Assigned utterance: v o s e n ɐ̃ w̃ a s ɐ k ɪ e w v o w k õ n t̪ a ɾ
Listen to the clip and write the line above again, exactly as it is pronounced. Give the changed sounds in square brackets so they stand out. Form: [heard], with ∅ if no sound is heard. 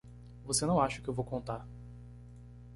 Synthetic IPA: v o s e n ɐ̃ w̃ a [ʃ] ɐ k ɪ e w v o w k õ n t̪ a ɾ